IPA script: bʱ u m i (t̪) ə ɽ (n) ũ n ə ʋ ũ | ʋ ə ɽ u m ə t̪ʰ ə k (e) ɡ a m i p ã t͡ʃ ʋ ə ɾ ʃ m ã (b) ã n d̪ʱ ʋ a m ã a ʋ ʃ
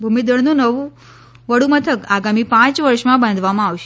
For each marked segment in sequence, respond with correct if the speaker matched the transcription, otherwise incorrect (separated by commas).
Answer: incorrect, correct, incorrect, correct